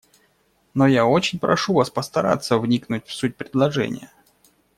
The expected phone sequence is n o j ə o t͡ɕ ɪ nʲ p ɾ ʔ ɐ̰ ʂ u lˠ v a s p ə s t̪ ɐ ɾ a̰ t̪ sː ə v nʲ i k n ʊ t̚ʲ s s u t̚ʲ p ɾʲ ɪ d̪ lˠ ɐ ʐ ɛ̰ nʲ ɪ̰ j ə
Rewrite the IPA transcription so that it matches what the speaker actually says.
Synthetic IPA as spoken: n o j a o t͡ɕ ɪ nʲ p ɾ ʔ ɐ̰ ʂ u v a s p ə s t̪ ɐ ɾ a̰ t̪ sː ə v nʲ i k n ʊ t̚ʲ f s u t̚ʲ p ɾʲ ɪ d̪ lˠ ɐ ʐ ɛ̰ nʲ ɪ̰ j ə